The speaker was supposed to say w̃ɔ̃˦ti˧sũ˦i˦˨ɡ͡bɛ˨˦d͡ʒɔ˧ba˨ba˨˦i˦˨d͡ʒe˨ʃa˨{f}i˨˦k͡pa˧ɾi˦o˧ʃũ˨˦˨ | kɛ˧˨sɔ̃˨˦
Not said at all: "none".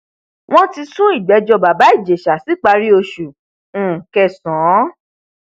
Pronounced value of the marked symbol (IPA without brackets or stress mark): s